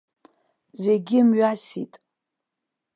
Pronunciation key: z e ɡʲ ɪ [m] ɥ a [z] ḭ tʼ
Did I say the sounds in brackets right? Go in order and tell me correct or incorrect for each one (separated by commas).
correct, incorrect